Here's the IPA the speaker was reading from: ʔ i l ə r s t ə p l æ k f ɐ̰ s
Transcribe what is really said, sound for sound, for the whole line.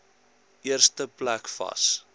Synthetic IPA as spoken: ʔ i ə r s t ə p l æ k f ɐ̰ s